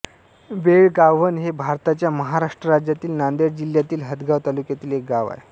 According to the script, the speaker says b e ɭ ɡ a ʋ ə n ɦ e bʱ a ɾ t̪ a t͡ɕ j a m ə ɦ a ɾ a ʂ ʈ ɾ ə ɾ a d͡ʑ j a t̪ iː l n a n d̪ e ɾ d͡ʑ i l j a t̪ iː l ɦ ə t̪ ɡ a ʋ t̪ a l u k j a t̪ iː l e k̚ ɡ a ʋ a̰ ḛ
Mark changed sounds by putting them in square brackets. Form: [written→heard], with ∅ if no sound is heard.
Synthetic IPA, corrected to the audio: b e ɭ ɡ a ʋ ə n ɦ e bʱ a ɾ t̪ a t͡ɕ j a m ə ɦ a ɾ a ʂ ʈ ɾ ə ɾ a d͡ʑ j a t̪ iː l n a n d̪ e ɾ d͡ʑ i l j a t̪ iː l ɦ ə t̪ ɡ a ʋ t̪ a l u k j a t̪ iː l e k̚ ɡ a ʋ a̰ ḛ